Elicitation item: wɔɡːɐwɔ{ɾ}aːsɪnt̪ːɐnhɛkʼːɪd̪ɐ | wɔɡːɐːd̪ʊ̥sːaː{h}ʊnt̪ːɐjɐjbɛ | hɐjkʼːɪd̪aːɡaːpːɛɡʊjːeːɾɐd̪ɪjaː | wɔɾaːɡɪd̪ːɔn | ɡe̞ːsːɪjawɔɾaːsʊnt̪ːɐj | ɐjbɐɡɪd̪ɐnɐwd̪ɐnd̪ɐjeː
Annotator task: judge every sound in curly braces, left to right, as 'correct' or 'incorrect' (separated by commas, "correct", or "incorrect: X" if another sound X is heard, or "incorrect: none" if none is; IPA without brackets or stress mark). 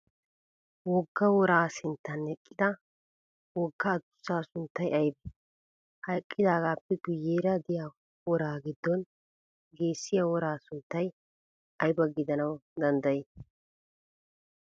correct, incorrect: s